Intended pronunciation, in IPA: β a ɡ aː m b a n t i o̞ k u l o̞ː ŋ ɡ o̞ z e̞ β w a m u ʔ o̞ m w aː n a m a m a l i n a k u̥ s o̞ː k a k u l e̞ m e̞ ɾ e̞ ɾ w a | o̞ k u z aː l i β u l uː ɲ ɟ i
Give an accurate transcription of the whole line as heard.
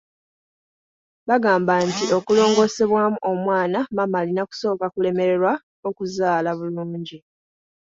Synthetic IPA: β a ɡ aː m b a n t i o̞ k u l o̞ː ŋ ɡ o̞ s e̞ β w a m u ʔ o̞ m w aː n a m a m a l i n a k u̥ s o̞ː k a k u l e̞ m e̞ ɾ e̞ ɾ w a | o̞ k u z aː l a β u l uː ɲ ɟ i